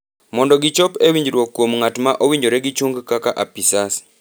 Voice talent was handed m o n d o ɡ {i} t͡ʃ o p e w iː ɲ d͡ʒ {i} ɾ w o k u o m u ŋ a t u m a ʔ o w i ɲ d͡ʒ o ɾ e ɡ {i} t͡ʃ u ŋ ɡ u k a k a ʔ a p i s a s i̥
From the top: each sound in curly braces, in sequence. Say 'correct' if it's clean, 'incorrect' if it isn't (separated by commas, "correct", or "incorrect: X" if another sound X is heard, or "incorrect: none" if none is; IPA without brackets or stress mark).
correct, correct, correct